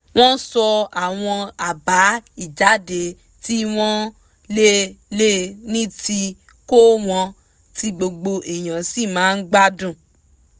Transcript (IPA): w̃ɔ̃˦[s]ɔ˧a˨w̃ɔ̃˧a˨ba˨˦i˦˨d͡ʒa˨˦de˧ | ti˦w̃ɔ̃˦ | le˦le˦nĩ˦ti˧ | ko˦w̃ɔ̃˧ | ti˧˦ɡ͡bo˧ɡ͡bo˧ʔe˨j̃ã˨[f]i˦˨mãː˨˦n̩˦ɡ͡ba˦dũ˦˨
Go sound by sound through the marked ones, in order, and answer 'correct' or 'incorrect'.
correct, incorrect: s

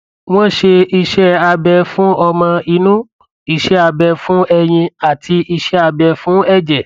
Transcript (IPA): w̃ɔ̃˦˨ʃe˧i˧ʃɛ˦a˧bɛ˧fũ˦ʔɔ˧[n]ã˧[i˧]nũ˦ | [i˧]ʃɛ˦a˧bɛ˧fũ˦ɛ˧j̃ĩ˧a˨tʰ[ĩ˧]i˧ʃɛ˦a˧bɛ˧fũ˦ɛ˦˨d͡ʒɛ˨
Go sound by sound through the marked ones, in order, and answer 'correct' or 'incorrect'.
incorrect: m, correct, correct, incorrect: i˧

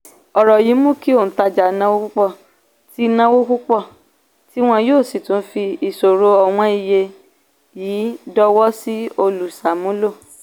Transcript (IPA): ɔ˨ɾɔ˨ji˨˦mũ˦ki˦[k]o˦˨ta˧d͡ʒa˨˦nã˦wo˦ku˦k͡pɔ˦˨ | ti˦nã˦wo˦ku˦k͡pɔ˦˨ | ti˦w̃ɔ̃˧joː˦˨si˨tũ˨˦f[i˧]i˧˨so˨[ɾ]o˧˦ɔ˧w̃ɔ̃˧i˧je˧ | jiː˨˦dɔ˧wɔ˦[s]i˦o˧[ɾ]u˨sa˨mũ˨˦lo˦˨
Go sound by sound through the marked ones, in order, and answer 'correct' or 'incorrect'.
incorrect: none, correct, correct, correct, incorrect: l

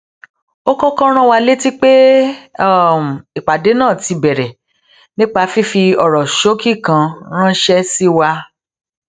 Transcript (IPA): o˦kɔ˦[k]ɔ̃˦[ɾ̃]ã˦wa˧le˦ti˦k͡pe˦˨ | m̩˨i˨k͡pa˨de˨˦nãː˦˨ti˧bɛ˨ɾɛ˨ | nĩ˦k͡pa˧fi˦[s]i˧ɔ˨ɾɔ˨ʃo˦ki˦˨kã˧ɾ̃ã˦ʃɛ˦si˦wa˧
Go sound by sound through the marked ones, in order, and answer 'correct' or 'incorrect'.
correct, correct, incorrect: f

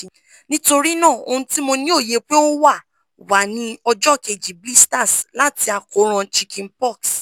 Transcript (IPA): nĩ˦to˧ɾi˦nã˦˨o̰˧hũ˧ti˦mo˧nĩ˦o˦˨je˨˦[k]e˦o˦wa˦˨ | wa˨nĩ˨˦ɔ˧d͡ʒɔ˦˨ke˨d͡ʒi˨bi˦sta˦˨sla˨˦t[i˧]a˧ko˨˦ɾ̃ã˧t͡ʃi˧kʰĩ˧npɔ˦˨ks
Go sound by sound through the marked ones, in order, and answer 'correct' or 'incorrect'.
incorrect: k͡p, correct

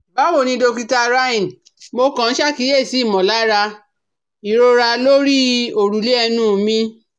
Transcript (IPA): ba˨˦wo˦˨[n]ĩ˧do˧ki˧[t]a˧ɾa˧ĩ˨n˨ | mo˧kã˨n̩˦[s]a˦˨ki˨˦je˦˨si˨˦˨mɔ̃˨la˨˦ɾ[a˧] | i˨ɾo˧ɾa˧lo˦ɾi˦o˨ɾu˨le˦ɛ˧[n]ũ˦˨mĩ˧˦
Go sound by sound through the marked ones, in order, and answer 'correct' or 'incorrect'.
correct, correct, incorrect: ʃ, correct, correct

